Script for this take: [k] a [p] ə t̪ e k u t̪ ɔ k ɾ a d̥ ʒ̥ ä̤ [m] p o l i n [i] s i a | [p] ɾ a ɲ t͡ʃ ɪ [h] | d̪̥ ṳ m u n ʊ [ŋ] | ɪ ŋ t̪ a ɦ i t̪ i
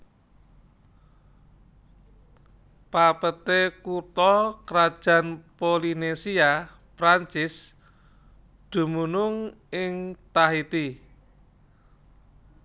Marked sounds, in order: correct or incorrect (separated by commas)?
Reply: incorrect, correct, incorrect, incorrect, correct, incorrect, correct